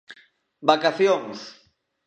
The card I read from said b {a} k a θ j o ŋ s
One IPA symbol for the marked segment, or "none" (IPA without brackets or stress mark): a